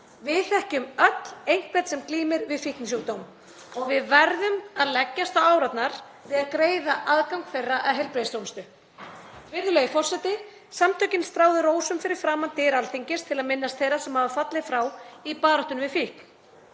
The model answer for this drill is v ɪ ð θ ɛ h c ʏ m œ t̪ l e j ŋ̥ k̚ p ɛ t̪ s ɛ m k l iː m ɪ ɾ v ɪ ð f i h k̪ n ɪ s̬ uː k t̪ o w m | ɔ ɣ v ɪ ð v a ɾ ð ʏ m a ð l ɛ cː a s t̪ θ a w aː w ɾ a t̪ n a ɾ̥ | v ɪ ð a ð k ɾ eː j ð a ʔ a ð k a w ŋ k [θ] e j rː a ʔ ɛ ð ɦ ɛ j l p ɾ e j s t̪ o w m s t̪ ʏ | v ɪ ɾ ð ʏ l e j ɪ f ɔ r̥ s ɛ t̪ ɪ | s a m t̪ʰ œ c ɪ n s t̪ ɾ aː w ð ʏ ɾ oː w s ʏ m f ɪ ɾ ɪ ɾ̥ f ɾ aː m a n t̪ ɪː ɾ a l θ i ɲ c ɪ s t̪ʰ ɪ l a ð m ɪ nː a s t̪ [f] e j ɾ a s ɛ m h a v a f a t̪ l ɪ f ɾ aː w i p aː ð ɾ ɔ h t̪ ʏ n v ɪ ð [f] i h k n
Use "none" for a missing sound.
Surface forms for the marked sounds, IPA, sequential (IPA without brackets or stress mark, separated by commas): f, θ, f